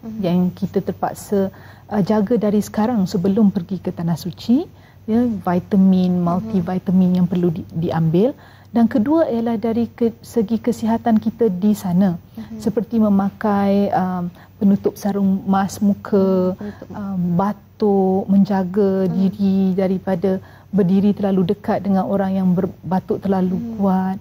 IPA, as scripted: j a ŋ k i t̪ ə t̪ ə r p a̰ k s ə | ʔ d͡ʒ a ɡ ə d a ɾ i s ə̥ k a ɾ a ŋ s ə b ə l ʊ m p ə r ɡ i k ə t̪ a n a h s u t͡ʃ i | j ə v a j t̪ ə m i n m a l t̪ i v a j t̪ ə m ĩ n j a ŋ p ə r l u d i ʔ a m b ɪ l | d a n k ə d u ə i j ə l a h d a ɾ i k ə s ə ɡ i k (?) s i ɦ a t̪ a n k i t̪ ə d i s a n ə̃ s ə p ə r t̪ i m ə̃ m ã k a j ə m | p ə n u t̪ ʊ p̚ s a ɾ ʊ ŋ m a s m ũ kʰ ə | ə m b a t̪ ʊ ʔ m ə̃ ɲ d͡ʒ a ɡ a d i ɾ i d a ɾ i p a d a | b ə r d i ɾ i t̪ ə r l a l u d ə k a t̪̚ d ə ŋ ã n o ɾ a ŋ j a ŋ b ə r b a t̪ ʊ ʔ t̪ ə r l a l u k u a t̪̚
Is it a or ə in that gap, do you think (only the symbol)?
ə